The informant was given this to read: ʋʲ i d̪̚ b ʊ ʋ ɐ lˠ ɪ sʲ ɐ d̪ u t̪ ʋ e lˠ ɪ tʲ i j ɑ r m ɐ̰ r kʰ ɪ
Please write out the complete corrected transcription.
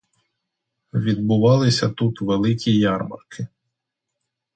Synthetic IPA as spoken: ʋʲ i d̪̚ b ʊ ʋ ɑ lˠ ɪ sʲ ɐ t̪ u t̪ ʋ e lˠ ɪ kʲ i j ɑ r m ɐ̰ r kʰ ɪ